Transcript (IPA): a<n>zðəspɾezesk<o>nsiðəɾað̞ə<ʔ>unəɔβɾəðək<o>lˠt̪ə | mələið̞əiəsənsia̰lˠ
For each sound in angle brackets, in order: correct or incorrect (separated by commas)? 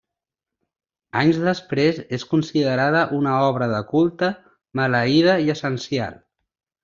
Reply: incorrect, incorrect, correct, incorrect